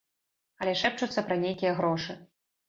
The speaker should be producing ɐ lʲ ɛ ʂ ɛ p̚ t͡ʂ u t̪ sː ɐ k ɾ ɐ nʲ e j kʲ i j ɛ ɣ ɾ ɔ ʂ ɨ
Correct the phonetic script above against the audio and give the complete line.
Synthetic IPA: ɐ lʲ ɛ ʂ ɛ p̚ t͡ʂ u t̪ sː ɐ p ɾ ɐ nʲ e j kʲ i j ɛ ɣ ɾ ɔ ʂ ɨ